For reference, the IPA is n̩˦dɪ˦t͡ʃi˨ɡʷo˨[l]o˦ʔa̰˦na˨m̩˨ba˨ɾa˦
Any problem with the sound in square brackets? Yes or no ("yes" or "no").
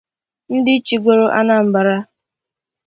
yes